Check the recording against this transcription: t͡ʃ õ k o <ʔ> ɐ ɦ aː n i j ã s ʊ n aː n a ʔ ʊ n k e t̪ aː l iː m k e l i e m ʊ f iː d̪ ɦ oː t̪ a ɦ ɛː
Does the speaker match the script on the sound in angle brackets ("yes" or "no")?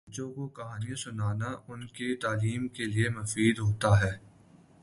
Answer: no